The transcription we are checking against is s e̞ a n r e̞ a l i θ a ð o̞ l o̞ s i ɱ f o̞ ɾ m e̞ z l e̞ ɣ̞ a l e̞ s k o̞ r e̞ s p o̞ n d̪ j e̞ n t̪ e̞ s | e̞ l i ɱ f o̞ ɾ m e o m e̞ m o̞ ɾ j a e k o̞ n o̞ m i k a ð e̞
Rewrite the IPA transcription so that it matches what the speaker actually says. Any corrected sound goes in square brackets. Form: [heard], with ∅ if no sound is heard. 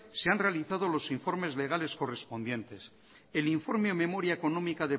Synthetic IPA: s e̞ a n r e̞ a l i θ a ð o̞ l o̞ s i ɱ f o̞ ɾ m e̞ z l e̞ ɣ̞ a l e̞ s k o̞ r e̞ s p o̞ n d̪ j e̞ n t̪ e̞ s | e̞ l i ɱ f o̞ ɾ m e o m e̞ m o̞ ɾ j a e k o̞ n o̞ m i k a ð e̞